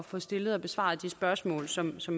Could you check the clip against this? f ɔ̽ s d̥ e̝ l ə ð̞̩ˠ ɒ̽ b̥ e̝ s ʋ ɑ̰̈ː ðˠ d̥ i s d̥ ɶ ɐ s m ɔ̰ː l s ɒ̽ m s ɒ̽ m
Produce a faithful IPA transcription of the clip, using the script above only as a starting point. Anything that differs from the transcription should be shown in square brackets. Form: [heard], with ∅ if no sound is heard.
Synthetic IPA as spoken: f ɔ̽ s d̥ e̝ l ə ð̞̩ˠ ɒ̽ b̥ e̝ s ʋ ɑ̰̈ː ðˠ d̥ i s [b̥] ɶ ɐ s m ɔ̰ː l s ɒ̽ m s ɒ̽ m